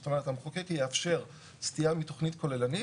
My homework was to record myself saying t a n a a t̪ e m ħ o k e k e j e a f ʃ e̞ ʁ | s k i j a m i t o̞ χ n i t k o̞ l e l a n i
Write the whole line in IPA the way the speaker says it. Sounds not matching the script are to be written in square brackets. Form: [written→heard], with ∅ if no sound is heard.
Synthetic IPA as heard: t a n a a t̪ [e→a] m [ħ→χ] o k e k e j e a f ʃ e̞ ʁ | s [k→t] i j a m i t o̞ χ n i t k o̞ l e l a n i